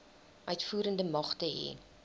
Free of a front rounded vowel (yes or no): no